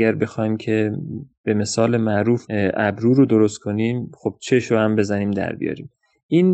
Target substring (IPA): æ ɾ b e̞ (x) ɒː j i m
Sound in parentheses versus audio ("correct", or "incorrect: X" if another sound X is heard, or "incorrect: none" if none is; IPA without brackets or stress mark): correct